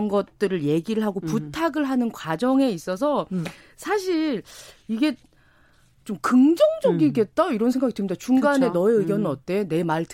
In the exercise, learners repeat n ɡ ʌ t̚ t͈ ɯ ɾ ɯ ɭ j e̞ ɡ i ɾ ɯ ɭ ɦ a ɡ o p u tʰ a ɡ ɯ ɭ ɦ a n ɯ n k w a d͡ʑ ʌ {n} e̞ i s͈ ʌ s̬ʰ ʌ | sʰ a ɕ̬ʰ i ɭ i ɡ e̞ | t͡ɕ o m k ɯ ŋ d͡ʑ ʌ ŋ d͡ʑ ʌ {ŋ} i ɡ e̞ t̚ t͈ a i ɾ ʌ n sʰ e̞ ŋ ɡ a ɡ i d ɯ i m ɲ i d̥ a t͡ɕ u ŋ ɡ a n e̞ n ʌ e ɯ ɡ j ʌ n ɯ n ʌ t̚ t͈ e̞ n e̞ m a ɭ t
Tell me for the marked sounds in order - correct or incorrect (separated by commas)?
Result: incorrect, incorrect